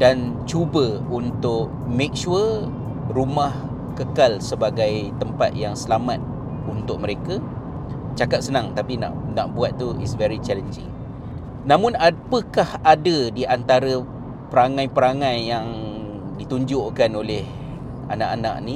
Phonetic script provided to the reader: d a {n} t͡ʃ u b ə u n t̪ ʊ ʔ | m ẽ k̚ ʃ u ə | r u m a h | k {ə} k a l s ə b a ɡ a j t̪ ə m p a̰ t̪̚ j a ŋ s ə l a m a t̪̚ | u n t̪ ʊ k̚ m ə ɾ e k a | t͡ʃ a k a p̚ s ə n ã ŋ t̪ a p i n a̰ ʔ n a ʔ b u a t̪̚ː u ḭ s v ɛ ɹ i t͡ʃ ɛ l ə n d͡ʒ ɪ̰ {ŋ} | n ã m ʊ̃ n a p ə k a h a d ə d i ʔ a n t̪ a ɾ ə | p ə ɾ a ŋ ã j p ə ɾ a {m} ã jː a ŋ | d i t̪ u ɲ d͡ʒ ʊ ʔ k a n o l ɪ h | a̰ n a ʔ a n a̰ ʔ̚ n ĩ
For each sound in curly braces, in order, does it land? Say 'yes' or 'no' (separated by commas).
yes, yes, yes, no